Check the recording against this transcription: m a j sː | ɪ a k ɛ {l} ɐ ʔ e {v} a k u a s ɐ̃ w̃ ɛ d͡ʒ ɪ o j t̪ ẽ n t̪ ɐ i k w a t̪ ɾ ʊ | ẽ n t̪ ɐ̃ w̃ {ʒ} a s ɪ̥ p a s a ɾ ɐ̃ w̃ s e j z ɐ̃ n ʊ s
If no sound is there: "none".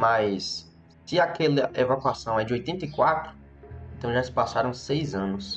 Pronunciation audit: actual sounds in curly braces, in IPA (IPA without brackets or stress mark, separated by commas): l, v, ʒ